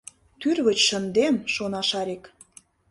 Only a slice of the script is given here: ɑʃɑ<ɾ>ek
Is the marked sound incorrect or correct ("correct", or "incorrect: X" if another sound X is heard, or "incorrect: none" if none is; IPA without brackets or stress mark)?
correct